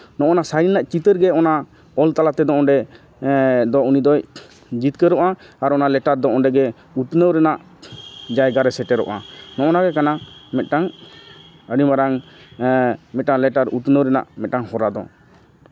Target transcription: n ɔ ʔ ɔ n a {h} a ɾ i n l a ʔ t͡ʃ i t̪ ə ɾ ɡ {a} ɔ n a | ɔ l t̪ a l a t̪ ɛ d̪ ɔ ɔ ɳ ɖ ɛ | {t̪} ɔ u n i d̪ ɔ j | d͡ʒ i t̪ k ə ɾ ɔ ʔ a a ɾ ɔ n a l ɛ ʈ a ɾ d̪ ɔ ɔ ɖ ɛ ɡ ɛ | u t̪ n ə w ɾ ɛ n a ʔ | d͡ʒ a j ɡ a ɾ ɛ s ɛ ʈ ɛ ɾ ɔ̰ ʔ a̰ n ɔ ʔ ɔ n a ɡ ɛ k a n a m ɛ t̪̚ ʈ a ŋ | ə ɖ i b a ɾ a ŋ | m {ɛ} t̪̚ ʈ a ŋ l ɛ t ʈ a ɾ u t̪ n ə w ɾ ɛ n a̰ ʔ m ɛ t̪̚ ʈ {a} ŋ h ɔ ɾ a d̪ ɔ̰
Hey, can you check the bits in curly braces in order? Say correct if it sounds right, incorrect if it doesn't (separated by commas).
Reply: incorrect, incorrect, incorrect, correct, correct